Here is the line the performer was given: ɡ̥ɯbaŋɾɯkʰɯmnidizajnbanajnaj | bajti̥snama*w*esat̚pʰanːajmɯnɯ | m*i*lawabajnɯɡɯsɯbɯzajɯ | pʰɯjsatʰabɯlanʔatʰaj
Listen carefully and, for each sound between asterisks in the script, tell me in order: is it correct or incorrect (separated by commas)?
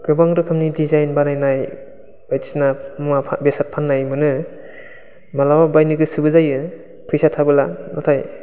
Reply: incorrect, incorrect